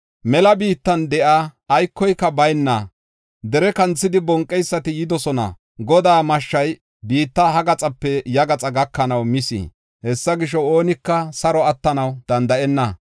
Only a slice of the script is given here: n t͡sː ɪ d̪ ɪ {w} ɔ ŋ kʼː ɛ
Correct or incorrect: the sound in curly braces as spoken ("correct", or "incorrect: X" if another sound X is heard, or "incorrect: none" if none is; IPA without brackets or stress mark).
incorrect: b